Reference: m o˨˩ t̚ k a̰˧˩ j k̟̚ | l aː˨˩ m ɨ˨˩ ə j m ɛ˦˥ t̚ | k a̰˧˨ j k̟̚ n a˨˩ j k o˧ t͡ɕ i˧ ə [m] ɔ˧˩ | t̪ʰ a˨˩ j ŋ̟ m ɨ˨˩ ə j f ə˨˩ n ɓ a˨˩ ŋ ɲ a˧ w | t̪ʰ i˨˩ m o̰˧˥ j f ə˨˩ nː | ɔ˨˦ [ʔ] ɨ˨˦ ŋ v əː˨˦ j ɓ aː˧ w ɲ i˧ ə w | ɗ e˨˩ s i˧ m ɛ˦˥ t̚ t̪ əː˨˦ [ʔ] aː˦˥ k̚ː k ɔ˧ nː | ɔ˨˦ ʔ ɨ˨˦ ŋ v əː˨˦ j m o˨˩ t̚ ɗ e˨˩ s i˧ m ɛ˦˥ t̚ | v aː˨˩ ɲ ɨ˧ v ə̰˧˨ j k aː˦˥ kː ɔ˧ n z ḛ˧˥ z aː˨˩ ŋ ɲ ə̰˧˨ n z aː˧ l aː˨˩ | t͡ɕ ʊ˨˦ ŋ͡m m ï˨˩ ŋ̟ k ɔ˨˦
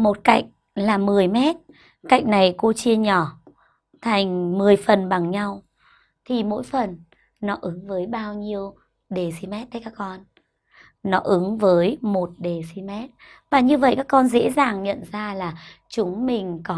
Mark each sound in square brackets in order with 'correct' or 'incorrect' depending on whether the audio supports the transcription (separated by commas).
incorrect, correct, incorrect